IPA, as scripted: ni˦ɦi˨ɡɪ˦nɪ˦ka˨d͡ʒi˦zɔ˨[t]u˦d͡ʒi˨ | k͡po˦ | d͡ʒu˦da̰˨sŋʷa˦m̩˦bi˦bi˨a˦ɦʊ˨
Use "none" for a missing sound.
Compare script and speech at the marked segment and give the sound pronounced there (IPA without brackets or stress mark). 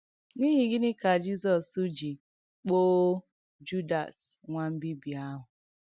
s